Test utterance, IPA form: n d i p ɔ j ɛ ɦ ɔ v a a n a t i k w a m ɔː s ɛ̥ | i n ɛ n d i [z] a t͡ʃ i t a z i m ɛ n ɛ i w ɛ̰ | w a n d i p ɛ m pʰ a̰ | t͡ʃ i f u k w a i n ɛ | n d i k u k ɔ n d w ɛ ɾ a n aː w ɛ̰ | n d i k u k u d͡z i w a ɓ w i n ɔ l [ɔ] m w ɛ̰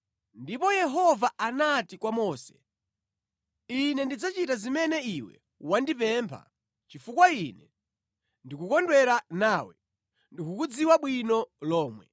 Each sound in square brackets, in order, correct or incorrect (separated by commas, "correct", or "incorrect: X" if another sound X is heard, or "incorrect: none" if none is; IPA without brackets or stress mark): incorrect: d͡z, incorrect: ɔː